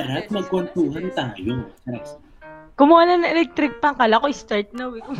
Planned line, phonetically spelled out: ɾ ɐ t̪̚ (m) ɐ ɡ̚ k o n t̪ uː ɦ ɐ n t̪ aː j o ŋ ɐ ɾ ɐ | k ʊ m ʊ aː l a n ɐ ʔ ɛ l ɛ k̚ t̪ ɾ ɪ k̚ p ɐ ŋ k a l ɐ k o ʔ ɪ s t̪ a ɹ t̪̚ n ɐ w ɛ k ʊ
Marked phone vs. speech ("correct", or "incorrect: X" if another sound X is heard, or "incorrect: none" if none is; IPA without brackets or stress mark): correct